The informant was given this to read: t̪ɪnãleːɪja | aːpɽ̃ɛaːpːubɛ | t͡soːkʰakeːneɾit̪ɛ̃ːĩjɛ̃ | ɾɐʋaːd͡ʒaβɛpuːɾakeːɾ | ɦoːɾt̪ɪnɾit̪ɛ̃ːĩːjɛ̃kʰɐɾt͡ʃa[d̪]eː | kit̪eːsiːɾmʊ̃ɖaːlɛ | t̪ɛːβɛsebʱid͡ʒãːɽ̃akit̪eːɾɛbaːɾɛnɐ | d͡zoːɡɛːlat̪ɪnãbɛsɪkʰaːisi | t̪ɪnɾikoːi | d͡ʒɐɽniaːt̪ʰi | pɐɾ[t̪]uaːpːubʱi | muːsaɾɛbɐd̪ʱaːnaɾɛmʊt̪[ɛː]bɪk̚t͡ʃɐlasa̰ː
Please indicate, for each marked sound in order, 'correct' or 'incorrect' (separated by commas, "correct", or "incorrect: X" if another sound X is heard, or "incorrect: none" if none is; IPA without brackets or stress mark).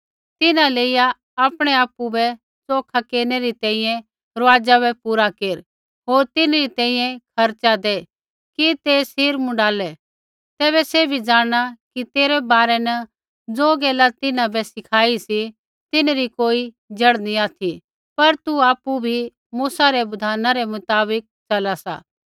correct, correct, incorrect: aː